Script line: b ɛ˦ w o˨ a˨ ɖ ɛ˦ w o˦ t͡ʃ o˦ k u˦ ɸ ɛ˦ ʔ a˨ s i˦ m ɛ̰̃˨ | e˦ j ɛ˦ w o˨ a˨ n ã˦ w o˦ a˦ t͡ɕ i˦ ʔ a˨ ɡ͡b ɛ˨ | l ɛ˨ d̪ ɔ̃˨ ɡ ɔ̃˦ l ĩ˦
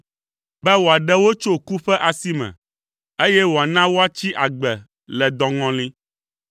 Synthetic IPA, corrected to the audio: b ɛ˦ w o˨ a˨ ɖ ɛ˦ w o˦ t͡ʃ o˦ k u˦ ɸ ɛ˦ ʔ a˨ s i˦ m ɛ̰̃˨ | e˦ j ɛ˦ w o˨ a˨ n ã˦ w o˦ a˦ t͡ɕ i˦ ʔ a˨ ɡ͡b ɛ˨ | l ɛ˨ d̪ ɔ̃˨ ŋ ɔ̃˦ l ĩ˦